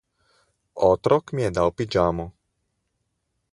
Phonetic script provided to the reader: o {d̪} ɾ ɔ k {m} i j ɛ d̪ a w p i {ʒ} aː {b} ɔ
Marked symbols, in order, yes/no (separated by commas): no, yes, no, no